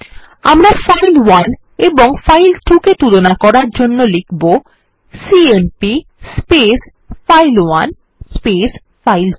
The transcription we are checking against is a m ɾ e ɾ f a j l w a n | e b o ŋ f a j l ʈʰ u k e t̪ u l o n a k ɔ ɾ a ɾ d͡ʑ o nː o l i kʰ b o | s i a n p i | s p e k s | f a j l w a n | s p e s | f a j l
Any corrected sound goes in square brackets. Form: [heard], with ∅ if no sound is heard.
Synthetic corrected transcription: a m ɾ [a] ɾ f a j l w a n | e b o ŋ f a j l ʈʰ u k e t̪ u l o n a k ɔ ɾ a ɾ d͡ʑ o nː o l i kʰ b o | s i [e] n p i | s p e [∅] s | f a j l w a n | s p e s | f a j l